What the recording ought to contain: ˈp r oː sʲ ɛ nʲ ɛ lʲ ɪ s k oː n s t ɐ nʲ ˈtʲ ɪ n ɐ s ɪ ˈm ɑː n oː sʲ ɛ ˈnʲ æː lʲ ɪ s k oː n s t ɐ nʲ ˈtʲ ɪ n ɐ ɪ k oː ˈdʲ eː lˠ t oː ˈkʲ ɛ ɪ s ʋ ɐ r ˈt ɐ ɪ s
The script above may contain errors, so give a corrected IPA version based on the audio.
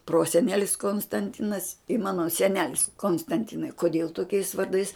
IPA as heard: ˈp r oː sʲ ɛ nʲ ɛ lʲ ɪ s k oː n s t ɐ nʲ ˈtʲ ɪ n ɐ s ɪ ˈm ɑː n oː sʲ ɛ ˈnʲ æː lʲ ɪ s k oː n s t ɐ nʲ ˈtʲ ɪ n ɐ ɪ k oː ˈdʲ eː lˠ t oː ˈkʲ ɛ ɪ s ʋ ɐ r ˈd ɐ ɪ s